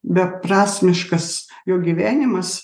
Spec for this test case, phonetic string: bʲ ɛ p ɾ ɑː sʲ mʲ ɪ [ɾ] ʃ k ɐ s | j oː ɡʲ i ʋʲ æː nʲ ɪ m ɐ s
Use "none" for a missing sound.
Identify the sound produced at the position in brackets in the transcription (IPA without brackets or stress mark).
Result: none